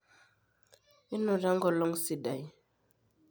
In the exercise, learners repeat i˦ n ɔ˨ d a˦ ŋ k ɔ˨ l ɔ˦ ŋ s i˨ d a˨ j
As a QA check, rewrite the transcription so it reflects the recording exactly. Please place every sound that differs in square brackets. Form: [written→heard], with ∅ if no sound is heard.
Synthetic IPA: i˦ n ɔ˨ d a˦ ŋ [k→ɡ] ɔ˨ l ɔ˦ ŋ s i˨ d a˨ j